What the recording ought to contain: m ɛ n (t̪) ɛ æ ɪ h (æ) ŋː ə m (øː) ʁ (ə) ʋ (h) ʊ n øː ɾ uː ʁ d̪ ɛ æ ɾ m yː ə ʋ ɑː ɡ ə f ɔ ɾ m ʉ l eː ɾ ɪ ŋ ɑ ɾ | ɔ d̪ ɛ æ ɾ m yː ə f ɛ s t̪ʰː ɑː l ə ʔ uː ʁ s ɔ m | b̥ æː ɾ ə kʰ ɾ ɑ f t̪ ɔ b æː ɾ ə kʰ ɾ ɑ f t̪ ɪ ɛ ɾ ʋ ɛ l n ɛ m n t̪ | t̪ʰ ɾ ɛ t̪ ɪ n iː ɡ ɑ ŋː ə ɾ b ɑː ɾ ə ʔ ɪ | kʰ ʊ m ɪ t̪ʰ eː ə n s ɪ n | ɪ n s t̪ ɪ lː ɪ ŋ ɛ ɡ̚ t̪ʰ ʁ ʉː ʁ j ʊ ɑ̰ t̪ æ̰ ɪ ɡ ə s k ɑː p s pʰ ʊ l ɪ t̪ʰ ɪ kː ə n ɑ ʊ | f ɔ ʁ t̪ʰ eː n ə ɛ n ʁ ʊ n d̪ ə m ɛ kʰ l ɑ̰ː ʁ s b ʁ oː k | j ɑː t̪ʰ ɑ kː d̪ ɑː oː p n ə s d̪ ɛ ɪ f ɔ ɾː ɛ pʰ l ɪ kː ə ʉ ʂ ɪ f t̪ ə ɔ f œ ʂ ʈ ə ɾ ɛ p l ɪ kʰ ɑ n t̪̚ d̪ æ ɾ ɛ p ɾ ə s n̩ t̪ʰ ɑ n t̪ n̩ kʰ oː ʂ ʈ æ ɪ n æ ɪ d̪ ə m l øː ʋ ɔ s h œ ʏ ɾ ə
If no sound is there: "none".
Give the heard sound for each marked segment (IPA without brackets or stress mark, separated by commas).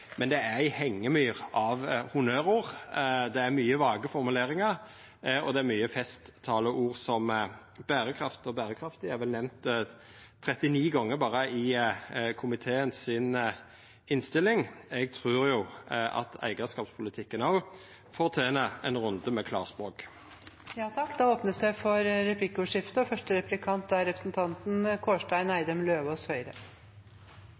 d̪, ɛ, yː, ɑ, h